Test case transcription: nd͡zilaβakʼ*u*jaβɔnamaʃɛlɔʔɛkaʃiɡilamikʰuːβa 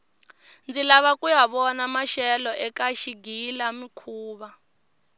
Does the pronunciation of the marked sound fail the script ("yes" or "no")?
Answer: no